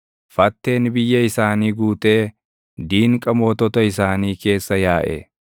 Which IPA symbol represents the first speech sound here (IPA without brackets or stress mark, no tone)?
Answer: f